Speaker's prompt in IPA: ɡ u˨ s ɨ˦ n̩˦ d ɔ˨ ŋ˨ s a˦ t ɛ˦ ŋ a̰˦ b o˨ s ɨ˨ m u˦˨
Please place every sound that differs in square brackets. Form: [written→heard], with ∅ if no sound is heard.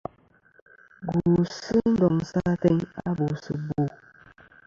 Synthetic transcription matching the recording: ɡ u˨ s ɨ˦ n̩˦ d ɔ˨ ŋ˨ s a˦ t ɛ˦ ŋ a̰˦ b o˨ s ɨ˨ [m→b] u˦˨